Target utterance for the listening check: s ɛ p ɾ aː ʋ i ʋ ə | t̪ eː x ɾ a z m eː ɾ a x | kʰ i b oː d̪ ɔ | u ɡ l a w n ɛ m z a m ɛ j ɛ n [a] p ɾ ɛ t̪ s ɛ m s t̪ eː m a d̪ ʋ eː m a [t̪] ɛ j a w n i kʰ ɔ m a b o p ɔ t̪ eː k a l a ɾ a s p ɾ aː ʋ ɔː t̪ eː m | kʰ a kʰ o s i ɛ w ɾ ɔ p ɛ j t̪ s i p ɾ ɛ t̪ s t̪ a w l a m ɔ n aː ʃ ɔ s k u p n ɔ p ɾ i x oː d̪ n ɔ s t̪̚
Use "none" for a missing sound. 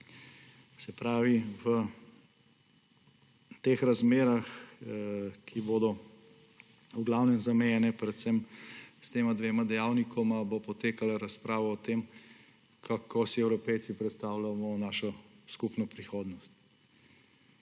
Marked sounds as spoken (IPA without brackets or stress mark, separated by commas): ɛ, d̪